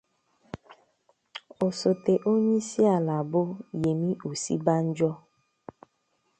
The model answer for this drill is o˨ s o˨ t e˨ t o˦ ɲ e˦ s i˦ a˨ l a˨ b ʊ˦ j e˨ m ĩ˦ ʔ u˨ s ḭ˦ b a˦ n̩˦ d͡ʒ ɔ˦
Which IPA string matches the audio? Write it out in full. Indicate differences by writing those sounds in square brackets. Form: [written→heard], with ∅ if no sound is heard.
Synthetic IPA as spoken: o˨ s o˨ t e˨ [t→ʔ] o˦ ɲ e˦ s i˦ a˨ l a˨ b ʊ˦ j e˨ m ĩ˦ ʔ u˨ s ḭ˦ b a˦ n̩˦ d͡ʒ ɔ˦